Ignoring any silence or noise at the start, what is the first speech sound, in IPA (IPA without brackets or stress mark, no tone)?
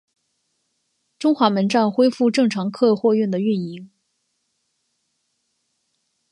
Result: ʈ͡ʂ